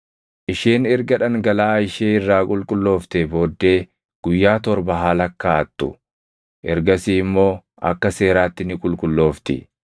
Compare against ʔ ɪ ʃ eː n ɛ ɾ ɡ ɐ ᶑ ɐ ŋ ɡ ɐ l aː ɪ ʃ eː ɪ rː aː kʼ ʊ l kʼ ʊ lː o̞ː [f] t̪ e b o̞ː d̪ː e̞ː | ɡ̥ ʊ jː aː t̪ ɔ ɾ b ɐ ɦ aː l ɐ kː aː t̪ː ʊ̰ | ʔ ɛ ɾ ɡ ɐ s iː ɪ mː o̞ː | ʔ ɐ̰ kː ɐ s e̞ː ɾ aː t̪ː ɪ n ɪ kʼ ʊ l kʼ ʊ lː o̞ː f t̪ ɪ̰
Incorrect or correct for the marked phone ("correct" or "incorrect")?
correct